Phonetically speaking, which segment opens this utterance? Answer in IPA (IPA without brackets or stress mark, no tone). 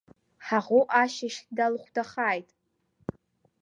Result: ħ